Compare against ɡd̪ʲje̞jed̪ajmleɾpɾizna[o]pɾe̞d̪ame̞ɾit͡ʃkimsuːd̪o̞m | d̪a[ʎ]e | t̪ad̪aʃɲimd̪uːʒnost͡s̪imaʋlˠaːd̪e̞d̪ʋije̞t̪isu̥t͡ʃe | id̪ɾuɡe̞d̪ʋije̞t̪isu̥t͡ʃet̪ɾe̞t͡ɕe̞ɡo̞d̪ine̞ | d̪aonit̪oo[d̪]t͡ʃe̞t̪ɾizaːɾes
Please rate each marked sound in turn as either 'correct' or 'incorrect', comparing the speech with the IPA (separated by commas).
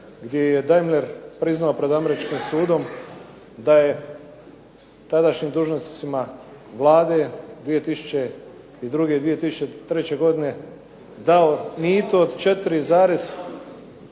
correct, incorrect, correct